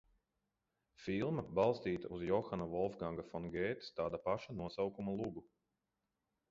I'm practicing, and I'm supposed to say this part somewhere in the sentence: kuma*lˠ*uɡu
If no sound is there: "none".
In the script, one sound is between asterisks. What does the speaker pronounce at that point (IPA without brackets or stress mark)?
lˠ